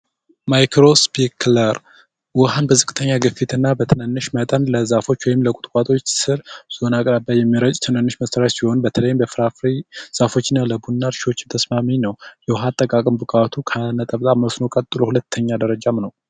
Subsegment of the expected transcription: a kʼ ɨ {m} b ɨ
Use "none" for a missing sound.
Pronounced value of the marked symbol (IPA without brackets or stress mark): m